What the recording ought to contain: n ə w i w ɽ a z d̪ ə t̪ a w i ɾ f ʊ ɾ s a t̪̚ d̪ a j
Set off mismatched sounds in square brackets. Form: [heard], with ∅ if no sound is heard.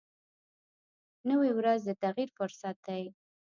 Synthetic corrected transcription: n ə w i w [ɾ] a z d̪ ə t̪ a [ɣ] i ɾ f ʊ ɾ s a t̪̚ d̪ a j